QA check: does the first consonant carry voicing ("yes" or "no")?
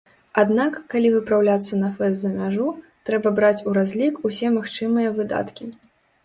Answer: yes